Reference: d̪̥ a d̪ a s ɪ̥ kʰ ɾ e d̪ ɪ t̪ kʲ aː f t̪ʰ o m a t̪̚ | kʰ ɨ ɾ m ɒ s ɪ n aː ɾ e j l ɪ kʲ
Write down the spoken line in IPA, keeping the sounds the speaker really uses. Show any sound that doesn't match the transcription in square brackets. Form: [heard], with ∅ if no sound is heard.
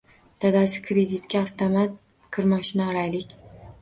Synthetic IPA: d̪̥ a d̪ a s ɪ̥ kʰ ɾ e d̪ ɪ t̪ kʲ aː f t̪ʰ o m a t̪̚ | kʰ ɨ ɾ m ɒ [ʃ] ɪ n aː ɾ [a] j l ɪ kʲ